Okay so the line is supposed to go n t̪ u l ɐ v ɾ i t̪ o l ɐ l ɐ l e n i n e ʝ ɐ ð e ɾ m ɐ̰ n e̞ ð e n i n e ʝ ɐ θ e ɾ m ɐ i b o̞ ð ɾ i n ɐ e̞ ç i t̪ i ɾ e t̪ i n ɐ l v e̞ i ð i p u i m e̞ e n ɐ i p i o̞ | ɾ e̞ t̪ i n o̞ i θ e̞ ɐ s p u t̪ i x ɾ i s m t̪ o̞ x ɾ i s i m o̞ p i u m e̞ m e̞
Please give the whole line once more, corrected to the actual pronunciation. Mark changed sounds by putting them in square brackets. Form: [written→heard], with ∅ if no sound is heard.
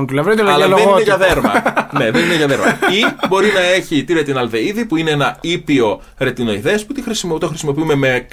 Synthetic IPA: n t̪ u l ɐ v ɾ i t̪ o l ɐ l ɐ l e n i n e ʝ ɐ ð e ɾ m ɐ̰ n e̞ ð e n i n e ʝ ɐ [θ→ð] e ɾ m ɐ i b o̞ [ð→∅] ɾ i n ɐ e̞ ç i t̪ i ɾ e t̪ i n ɐ l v e̞ i ð i p u i [m→n] e̞ e n ɐ i p i o̞ | ɾ e̞ t̪ i n o̞ i [θ→ð] e̞ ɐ s p u t̪ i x ɾ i s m t̪ o̞ x ɾ i s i m o̞ p i u m e̞ m e̞